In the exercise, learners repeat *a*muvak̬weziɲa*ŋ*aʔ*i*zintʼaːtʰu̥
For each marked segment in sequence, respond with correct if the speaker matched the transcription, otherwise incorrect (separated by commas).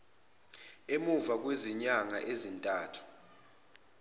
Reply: incorrect, correct, incorrect